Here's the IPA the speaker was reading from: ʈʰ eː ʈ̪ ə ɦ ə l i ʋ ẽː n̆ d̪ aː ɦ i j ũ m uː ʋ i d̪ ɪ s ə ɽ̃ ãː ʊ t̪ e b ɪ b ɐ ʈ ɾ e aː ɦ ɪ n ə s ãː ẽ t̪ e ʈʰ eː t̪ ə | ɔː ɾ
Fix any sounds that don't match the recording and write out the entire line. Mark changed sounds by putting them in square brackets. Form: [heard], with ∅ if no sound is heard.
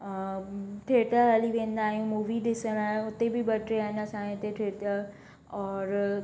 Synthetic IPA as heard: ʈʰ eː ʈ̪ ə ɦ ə l i ʋ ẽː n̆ d̪ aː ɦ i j ũ m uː ʋ i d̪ ɪ s ə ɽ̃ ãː ʊ t̪ e b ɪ b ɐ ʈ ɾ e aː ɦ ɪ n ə s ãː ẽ t̪ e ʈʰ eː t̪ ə | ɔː ɾ